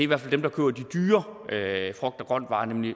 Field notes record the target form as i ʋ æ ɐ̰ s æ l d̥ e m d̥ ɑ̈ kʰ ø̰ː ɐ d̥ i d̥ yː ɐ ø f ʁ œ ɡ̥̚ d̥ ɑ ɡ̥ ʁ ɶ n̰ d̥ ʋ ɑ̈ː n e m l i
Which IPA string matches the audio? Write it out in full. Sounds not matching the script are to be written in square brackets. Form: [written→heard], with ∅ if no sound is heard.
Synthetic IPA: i ʋ æ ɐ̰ [s→f] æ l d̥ e m d̥ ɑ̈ kʰ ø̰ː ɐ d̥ i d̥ yː ɐ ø f ʁ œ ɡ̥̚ d̥ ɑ ɡ̥ ʁ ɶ n̰ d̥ ʋ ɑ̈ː n e m l i